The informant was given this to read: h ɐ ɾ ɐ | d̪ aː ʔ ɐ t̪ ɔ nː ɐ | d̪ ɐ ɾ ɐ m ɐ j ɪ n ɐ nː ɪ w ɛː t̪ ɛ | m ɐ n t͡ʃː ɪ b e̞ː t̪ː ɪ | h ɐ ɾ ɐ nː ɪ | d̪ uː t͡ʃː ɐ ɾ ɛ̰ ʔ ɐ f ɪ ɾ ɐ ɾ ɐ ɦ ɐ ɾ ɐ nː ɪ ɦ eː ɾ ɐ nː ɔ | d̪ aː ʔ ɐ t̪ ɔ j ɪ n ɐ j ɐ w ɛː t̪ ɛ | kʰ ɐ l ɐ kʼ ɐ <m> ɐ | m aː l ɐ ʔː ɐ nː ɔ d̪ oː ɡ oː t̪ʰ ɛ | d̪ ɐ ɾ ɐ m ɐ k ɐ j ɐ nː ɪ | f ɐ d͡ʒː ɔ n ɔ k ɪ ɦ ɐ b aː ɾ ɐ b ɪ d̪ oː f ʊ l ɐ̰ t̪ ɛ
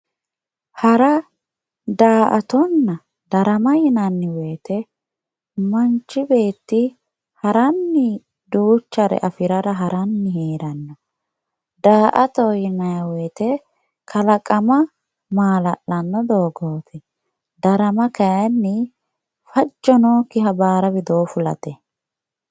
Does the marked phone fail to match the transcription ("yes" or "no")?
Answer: no